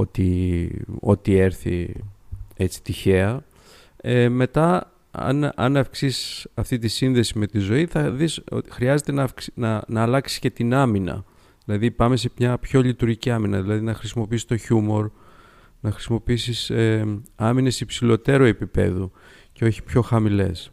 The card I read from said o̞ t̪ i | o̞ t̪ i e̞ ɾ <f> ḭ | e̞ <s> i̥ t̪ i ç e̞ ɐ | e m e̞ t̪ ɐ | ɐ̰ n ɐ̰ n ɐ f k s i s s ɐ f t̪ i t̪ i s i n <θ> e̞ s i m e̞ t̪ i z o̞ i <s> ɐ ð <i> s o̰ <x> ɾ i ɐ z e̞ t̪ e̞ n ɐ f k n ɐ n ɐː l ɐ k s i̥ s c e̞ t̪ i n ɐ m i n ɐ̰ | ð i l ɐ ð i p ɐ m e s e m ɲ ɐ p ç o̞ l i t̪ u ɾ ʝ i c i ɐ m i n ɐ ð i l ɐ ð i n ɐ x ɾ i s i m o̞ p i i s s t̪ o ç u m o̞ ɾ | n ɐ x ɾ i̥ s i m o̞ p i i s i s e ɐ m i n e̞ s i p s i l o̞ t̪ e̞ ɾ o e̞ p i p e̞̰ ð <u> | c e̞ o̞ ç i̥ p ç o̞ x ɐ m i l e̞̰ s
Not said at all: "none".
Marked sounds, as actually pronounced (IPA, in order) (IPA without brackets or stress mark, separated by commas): θ, t͡s, ð, θ, i, x, u